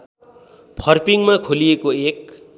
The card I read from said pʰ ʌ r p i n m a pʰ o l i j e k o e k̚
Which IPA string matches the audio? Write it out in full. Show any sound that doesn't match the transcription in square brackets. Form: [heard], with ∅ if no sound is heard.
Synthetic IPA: pʰ ʌ r p i [ŋ] m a [kʰ] o l i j e k o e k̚